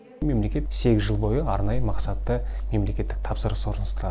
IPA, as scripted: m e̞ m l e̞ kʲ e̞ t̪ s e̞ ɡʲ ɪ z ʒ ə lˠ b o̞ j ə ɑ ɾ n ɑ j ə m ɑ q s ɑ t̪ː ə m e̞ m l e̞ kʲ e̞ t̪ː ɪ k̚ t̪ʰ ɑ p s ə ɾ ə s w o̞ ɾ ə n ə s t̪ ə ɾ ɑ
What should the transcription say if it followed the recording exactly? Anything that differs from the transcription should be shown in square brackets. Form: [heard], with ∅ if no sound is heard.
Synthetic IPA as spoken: m e̞ m l e̞ kʲ e̞ t̪ s e̞ ɡʲ ɪ z ʒ ə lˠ b o̞ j ə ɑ ɾ n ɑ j ə m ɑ q s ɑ t̪ː ə m e̞ m l e̞ kʲ e̞ t̪ː ɪ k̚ t̪ʰ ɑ p s ə ɾ ə s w o̞ ɾ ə n ə s t̪ ə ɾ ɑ

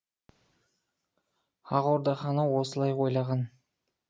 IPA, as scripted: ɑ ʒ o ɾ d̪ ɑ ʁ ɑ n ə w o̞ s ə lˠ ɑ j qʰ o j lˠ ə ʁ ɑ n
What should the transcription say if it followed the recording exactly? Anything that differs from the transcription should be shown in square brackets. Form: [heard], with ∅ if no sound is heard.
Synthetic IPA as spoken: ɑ [ʁ] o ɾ d̪ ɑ [χ] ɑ n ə w o̞ s ə lˠ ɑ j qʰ o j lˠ [ɑ] ʁ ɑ n

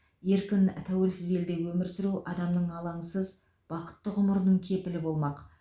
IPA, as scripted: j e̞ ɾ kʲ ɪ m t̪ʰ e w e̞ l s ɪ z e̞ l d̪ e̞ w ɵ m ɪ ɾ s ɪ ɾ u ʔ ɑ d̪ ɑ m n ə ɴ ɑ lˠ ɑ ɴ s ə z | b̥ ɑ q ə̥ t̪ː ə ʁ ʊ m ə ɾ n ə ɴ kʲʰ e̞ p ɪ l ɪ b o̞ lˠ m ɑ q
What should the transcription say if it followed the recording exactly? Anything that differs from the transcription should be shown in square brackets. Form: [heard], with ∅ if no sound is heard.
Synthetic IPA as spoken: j e̞ ɾ kʲ ɪ [n] t̪ʰ [æ] w e̞ l s ɪ z e̞ l d̪ e̞ w ɵ m ɪ ɾ s ɪ ɾ u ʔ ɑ d̪ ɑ m n ə ɴ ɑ lˠ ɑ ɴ s ə z | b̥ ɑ q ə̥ t̪ː ə ʁ ʊ m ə ɾ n ə ɴ kʲʰ e̞ p ɪ l ɪ b o̞ lˠ m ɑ q

